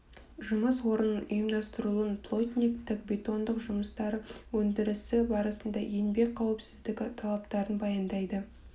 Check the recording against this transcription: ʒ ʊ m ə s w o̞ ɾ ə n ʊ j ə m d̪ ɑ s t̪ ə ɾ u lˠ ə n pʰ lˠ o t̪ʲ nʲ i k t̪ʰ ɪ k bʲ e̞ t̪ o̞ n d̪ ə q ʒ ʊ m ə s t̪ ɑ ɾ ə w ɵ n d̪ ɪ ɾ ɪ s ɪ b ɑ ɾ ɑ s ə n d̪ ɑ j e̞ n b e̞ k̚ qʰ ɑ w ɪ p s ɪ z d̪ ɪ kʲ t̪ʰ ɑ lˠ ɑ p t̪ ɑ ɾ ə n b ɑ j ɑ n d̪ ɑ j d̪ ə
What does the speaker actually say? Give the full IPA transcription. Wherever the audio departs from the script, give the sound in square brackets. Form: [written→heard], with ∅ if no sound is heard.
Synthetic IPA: ʒ ʊ m ə s w o̞ ɾ ə n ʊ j ə m d̪ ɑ s t̪ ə ɾ u lˠ ə n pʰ lˠ o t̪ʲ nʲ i k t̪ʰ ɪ k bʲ e̞ t̪ o̞ n d̪ ə q ʒ ʊ m ə s t̪ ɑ ɾ ə w ɵ n d̪ ɪ ɾ ɪ s ɪ b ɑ ɾ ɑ s ə n d̪ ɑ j e̞ n b e̞ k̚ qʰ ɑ w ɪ p s ɪ z d̪ ɪ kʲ t̪ʰ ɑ lˠ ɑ p t̪ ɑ ɾ ə n b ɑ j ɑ n d̪ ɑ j d̪ ə